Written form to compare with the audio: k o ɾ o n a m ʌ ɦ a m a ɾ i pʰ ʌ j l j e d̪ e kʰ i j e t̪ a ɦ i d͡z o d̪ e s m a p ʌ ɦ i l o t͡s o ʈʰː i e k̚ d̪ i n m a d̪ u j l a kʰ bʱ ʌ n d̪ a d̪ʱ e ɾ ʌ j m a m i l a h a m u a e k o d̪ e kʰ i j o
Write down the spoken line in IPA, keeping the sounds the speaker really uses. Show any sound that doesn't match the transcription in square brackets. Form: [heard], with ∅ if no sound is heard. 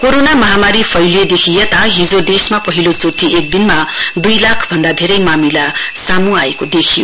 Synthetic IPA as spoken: k o ɾ o n a m ʌ ɦ a m a ɾ i pʰ ʌ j l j e d̪ e kʰ i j e t̪ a ɦ i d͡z o d̪ e s m a p ʌ ɦ i l o t͡s o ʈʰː i e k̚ d̪ i n m a d̪ u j l a kʰ bʱ ʌ n d̪ a d̪ʱ e ɾ ʌ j m a m i l a [s] a m u a e k o d̪ e kʰ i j o